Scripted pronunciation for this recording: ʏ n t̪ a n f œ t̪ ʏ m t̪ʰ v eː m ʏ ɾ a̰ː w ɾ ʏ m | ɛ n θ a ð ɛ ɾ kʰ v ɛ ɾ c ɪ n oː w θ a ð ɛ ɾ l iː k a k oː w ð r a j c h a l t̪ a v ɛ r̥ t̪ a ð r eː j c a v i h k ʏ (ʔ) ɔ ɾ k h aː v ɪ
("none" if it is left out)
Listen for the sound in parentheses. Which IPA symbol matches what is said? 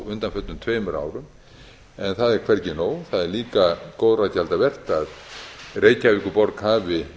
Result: p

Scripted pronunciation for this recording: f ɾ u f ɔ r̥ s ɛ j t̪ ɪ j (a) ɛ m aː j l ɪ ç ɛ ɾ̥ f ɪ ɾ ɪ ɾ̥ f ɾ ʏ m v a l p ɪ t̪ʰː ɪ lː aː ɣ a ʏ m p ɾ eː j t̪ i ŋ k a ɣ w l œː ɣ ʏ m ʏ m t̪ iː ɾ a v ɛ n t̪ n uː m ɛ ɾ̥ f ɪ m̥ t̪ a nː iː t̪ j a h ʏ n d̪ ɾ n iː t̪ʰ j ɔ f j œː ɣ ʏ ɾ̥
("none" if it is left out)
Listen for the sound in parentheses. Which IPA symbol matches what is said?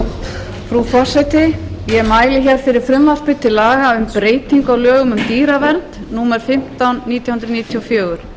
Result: ɛ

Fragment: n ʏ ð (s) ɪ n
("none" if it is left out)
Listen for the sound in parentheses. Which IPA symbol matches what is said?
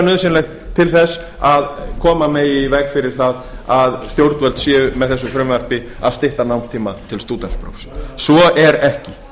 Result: s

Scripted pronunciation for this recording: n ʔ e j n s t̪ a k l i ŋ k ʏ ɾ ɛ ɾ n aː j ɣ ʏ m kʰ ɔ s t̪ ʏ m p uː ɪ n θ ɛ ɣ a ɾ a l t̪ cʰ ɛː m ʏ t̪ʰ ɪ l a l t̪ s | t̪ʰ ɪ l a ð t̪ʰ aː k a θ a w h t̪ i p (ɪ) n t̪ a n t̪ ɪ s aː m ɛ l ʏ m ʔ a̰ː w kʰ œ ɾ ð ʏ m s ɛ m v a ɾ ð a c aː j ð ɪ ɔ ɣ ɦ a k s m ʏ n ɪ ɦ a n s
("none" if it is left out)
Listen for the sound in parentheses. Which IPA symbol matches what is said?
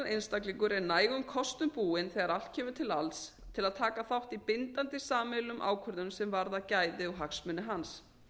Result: ɪ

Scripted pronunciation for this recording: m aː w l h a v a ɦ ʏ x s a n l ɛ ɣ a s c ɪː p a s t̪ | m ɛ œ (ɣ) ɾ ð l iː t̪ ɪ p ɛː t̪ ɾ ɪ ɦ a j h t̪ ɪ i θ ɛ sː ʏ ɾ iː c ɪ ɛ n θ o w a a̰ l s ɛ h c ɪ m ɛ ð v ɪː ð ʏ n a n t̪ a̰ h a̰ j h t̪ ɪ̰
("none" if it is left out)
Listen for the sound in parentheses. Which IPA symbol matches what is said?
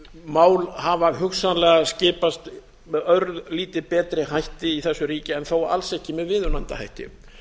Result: none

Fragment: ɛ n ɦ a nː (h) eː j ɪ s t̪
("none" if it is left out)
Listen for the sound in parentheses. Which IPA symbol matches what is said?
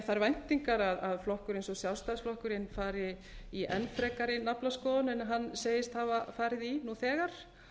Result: s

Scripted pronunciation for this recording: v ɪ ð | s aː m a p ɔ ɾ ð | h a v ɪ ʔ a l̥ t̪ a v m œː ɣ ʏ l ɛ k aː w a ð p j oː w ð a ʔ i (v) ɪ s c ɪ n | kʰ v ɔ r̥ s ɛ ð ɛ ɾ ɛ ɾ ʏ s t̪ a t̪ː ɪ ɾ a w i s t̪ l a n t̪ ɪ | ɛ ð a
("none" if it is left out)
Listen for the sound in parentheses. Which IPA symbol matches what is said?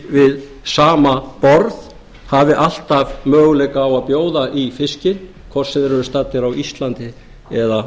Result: f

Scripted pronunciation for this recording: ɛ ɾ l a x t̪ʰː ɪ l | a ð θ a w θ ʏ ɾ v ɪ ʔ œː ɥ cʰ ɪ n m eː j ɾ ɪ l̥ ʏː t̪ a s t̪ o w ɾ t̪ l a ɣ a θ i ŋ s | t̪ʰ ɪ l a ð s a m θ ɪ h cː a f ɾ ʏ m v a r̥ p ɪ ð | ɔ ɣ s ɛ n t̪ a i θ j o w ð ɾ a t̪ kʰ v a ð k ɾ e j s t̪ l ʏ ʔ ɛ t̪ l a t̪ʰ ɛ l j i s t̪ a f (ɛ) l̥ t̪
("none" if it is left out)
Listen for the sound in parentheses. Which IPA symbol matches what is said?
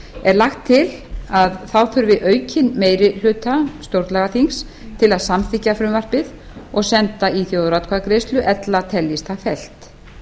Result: ɛ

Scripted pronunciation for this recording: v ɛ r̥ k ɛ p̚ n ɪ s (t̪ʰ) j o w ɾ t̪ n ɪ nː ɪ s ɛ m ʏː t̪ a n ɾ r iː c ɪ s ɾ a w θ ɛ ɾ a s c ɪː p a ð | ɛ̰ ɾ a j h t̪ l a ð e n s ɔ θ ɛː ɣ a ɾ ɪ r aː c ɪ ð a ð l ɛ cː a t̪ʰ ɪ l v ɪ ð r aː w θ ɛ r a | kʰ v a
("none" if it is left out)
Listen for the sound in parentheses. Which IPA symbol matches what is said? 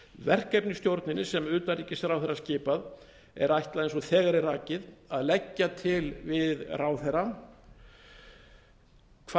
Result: t̪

